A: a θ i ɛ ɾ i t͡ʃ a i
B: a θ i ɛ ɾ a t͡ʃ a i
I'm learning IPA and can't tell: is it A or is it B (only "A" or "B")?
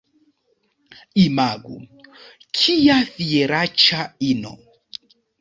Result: B